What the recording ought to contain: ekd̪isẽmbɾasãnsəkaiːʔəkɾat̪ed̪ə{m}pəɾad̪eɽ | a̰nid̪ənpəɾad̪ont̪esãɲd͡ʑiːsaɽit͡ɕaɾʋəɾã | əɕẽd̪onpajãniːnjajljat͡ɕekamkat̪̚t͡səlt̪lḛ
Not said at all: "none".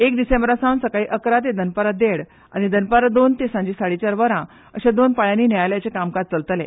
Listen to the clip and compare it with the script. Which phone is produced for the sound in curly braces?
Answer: n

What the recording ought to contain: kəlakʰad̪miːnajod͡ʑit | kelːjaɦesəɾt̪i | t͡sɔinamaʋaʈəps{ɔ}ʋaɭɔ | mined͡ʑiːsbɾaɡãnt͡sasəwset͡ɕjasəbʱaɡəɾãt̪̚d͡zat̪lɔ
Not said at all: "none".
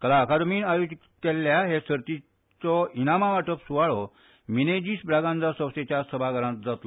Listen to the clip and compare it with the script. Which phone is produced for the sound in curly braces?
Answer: u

